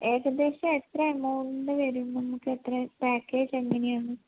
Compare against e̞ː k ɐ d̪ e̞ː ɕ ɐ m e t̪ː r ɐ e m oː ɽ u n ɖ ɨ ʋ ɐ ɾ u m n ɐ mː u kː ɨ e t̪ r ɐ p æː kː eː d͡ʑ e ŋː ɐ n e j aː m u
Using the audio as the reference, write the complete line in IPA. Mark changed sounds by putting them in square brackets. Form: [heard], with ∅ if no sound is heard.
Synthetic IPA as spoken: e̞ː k ɐ d̪ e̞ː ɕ ɐ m e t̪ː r ɐ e m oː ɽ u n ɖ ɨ ʋ ɐ ɾ u m n ɐ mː u kː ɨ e t̪ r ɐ p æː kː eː d͡ʑ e ŋː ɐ n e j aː [ɳ] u